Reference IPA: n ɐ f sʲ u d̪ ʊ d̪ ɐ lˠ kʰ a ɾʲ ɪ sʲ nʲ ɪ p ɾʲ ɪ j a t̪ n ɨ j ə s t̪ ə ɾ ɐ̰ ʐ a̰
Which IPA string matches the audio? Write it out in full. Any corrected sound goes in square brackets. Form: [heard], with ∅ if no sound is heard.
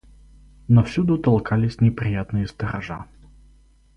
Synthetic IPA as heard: n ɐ f sʲ u d̪ ʊ [t̪] ɐ lˠ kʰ a [lʲ] ɪ sʲ nʲ ɪ p ɾʲ ɪ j a t̪ n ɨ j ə s t̪ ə ɾ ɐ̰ ʐ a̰